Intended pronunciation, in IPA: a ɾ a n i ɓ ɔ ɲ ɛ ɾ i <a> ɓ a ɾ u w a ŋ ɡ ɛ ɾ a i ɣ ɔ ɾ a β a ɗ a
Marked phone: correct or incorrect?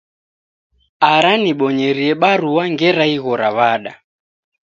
incorrect